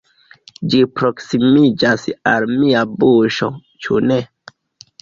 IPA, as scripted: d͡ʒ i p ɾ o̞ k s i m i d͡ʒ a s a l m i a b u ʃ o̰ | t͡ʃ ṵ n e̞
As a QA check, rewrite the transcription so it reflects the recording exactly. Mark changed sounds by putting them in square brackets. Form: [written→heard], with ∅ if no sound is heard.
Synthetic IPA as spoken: d͡ʒ i p ɾ o̞ k s i m i d͡ʒ a s a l m i a b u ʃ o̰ | t͡ʃ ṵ n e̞